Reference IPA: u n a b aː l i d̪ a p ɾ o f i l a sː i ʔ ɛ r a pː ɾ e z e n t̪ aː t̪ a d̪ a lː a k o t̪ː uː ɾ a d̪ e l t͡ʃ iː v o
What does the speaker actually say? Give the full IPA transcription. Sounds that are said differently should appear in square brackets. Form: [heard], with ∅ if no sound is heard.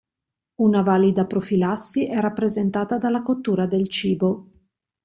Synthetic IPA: u n a [v] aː l i d̪ a p ɾ o f i l a sː i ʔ ɛ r a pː ɾ e z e n t̪ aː t̪ a d̪ a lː a k o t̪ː uː ɾ a d̪ e l t͡ʃ iː [b] o